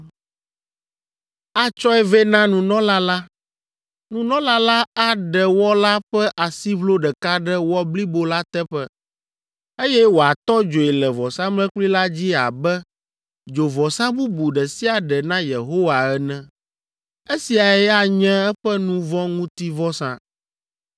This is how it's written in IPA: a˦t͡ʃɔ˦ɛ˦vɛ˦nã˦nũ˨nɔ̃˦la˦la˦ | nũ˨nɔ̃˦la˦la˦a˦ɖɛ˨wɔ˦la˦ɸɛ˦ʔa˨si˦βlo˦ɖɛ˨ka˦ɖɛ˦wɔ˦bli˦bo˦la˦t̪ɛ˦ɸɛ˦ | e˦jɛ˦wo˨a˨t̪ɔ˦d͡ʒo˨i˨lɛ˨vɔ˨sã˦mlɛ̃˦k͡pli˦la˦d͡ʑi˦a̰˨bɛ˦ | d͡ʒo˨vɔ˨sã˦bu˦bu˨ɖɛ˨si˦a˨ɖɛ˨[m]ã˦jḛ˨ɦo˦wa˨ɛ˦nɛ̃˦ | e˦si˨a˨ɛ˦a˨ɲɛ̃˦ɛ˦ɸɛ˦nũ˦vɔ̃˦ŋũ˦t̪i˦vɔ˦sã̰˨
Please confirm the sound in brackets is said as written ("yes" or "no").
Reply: no